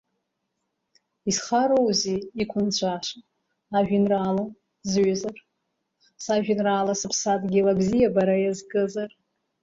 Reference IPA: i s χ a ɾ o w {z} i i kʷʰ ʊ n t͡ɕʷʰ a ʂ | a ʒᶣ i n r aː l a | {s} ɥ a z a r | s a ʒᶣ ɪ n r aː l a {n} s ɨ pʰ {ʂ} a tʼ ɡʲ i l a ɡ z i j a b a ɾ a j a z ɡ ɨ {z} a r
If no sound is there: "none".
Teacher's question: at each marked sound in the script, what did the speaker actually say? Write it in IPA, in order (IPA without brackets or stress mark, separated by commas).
z, z, none, s, z